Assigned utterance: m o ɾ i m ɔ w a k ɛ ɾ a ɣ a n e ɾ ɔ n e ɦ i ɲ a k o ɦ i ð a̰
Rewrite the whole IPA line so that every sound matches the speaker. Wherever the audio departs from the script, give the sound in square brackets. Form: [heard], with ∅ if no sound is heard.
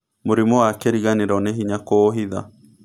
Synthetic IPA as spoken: m o ɾ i m ɔ w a k ɛ ɾ [i] ɣ a n e ɾ ɔ n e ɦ i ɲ a k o ɦ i ð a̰